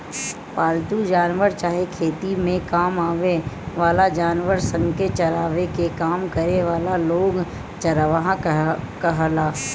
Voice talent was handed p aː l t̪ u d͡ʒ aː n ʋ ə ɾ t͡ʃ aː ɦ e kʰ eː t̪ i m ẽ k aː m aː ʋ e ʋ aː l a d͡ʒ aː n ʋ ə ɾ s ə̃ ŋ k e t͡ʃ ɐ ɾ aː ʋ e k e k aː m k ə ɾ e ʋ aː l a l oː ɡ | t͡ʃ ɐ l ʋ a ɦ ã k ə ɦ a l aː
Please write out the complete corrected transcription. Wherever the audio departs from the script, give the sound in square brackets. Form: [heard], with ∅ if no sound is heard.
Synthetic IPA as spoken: p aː l t̪ u d͡ʒ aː n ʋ ə ɾ t͡ʃ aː ɦ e kʰ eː t̪ i m ẽ k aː m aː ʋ e ʋ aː l a d͡ʒ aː n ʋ ə ɾ s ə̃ ŋ k e t͡ʃ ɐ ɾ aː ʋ e k e k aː m k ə ɾ e ʋ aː l a l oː ɡ | t͡ʃ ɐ [ɾ] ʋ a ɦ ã k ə ɦ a l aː